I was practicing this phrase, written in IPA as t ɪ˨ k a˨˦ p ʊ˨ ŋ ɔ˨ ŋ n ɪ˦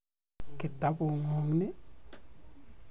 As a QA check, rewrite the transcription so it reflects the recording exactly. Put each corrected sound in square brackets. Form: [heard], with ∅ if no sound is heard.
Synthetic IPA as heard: [k] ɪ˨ [t] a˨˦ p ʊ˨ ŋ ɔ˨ ŋ n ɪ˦